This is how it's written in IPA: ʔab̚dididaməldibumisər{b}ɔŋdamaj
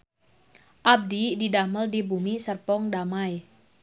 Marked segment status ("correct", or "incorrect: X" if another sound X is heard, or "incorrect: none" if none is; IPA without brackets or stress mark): incorrect: p